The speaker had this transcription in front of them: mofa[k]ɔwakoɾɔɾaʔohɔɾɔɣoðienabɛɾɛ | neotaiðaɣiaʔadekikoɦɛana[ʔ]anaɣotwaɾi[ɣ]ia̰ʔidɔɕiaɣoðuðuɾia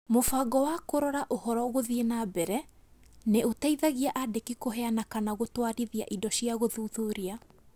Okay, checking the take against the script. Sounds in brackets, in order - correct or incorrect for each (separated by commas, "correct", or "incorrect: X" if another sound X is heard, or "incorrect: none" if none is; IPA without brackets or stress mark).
incorrect: ɡ, incorrect: k, incorrect: ð